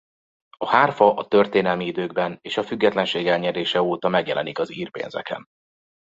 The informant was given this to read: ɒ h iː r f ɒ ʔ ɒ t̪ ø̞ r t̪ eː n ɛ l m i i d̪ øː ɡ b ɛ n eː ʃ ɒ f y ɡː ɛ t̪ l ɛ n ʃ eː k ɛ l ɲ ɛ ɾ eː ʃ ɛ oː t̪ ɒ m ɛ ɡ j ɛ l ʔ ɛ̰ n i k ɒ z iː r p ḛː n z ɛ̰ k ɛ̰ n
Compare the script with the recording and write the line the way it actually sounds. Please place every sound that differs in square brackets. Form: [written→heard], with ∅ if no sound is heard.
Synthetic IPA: ɒ h [iː→aː] r f ɒ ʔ ɒ t̪ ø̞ r t̪ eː n ɛ l m i i d̪ øː ɡ b ɛ n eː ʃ ɒ f y ɡː ɛ t̪ l ɛ n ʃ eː [k→ɡ] ɛ l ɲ ɛ ɾ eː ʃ ɛ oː t̪ ɒ m ɛ ɡ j ɛ l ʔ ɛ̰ n i k ɒ z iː r p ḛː n z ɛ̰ k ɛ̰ n